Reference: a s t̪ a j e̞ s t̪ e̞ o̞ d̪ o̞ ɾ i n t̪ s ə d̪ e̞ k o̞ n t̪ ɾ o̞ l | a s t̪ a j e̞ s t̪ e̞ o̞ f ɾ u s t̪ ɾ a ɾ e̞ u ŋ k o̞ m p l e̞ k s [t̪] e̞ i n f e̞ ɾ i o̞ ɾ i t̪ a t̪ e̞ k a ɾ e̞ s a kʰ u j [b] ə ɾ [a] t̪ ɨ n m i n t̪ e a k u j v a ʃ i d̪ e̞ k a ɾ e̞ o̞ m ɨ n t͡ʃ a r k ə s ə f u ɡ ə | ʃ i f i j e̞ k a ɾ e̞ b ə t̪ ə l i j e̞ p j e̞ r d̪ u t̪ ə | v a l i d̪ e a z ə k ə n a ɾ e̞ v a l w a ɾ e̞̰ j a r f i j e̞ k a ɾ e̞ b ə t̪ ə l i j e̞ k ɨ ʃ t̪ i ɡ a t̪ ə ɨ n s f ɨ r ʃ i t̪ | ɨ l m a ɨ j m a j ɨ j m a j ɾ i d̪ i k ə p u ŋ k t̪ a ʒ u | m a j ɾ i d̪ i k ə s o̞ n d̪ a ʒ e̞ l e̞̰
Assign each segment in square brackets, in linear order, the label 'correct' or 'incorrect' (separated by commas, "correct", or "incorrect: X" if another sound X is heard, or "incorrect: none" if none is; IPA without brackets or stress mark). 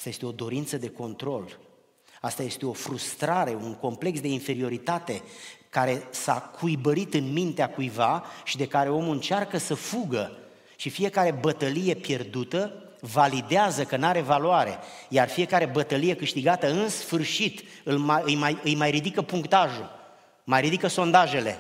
incorrect: d̪, correct, incorrect: i